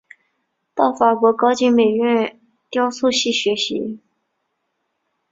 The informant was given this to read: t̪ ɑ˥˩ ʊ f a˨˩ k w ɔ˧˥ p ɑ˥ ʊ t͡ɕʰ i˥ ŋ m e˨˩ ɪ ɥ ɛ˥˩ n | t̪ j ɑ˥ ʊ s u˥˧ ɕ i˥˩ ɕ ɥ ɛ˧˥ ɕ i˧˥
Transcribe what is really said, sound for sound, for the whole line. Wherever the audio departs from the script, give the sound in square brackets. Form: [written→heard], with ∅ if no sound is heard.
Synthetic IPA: t̪ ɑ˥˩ ʊ f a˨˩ k w ɔ˧˥ [p→k] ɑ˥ ʊ [t͡ɕʰ→t͡ɕ] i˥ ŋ m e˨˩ ɪ ɥ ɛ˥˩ n | t̪ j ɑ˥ ʊ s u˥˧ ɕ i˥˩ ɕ ɥ ɛ˧˥ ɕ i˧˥